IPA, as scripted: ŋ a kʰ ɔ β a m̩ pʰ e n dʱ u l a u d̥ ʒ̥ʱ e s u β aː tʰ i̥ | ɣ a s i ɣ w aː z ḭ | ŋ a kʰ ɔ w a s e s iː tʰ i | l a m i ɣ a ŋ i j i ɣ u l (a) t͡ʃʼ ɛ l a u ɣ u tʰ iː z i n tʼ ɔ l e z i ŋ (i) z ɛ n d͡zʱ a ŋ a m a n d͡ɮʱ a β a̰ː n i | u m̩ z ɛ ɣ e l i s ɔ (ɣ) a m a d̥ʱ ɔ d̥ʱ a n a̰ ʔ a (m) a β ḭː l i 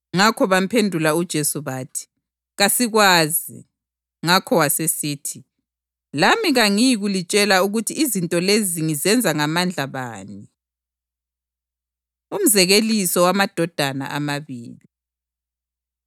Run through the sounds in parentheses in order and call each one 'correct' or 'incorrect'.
incorrect, correct, incorrect, correct

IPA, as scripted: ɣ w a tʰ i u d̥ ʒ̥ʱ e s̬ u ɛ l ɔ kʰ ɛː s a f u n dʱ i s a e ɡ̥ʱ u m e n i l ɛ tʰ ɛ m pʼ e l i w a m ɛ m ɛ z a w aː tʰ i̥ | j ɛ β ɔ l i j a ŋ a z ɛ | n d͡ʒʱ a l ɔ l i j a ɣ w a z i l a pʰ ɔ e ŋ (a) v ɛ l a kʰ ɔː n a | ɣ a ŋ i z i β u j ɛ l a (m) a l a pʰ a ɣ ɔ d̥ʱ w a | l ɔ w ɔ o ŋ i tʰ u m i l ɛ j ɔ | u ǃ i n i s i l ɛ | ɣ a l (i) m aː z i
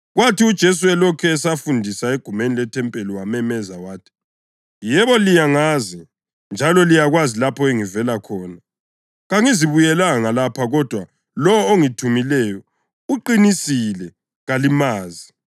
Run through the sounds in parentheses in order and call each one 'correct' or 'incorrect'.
incorrect, incorrect, correct

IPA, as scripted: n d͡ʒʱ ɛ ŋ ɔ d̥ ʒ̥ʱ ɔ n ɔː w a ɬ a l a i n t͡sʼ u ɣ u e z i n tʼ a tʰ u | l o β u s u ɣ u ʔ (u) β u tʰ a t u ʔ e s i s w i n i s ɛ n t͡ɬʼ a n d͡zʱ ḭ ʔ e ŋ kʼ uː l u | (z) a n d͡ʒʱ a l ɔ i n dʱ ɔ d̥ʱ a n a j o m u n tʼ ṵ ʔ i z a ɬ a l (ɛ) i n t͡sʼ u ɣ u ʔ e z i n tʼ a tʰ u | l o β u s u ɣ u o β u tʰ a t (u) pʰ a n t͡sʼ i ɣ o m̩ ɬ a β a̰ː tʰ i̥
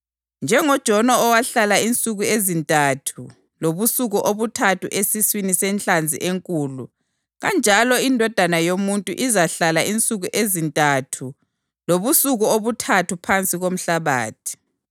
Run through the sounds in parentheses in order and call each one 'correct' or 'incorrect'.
incorrect, incorrect, incorrect, correct

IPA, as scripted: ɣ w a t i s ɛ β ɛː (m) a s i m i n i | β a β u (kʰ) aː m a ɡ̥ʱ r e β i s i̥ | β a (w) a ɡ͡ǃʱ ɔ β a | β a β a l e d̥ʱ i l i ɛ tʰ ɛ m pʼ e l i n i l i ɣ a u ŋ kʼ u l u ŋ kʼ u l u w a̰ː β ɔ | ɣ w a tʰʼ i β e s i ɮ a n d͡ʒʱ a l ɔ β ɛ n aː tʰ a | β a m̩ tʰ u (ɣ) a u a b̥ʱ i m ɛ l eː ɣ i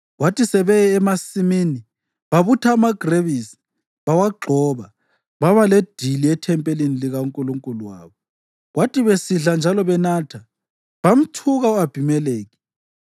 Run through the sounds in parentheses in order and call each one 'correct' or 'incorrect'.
correct, incorrect, correct, correct

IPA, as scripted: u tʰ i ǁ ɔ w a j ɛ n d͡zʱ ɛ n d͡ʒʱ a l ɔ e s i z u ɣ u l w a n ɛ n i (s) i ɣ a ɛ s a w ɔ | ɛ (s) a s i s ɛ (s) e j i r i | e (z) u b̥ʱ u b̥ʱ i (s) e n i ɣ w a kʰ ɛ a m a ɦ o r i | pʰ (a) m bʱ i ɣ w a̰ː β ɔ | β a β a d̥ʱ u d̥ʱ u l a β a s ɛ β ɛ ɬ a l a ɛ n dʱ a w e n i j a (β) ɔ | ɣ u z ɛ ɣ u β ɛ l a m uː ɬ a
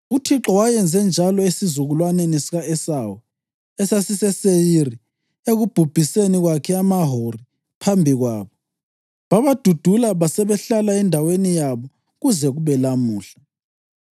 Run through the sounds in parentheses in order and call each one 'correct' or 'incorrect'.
correct, correct, correct, incorrect, correct, correct, correct

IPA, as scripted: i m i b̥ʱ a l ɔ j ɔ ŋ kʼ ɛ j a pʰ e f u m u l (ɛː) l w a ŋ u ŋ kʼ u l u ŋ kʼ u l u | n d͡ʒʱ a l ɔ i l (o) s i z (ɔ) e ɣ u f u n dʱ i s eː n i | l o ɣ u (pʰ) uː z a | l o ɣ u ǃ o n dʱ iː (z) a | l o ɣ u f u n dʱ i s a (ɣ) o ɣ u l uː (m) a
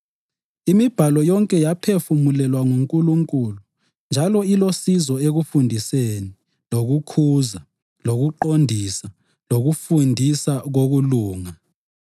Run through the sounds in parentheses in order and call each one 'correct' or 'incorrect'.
incorrect, correct, correct, incorrect, incorrect, correct, incorrect

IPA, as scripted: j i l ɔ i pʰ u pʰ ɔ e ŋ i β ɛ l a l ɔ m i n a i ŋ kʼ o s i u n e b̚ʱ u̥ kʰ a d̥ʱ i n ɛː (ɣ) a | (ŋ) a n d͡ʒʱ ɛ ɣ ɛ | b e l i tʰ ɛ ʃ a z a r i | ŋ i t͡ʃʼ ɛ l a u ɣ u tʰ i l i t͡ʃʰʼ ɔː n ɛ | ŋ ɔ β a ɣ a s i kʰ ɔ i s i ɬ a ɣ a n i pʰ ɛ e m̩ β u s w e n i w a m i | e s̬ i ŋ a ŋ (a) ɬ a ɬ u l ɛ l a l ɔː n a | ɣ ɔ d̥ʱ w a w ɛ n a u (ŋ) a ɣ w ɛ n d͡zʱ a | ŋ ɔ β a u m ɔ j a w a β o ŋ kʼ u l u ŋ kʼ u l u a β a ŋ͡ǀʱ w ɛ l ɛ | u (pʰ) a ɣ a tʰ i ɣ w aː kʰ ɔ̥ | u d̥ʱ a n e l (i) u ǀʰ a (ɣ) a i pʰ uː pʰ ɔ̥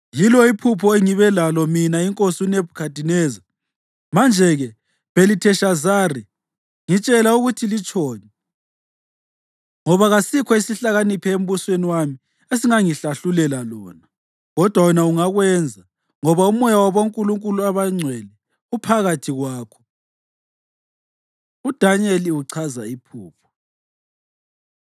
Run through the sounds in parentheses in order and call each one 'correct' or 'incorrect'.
incorrect, incorrect, incorrect, correct, correct, correct, incorrect

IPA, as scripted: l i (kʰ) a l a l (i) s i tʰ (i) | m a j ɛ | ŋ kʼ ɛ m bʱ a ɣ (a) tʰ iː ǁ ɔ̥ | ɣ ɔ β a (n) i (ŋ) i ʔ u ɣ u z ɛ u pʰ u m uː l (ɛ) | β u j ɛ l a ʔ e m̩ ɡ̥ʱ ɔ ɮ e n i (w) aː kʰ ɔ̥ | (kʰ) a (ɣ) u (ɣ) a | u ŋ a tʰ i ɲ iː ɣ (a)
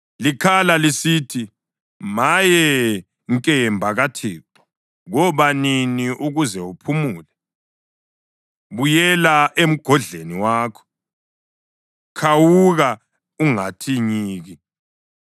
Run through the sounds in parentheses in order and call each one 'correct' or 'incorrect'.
correct, correct, correct, correct, correct, incorrect, correct, correct, correct, incorrect, correct, incorrect

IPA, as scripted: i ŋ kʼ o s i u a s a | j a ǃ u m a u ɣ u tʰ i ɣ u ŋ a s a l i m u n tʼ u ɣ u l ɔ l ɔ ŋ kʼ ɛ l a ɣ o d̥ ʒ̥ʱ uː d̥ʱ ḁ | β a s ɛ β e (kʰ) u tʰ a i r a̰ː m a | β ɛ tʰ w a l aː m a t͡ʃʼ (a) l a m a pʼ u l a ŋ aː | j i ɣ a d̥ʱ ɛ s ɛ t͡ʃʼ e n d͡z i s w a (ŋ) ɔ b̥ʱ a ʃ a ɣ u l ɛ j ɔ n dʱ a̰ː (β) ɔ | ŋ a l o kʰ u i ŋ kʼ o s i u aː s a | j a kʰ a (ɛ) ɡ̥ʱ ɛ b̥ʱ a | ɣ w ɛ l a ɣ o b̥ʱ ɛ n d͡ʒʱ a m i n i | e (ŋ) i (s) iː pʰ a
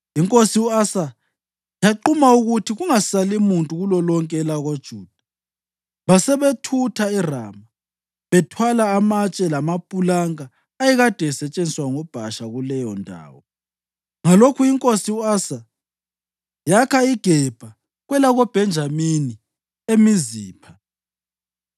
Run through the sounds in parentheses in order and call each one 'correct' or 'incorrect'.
incorrect, incorrect, correct, incorrect, incorrect, incorrect, incorrect

